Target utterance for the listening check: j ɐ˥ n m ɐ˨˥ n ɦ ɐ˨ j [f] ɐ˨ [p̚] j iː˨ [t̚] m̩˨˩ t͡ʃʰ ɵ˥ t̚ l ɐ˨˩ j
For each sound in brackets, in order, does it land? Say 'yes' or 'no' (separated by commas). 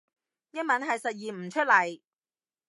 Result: no, no, no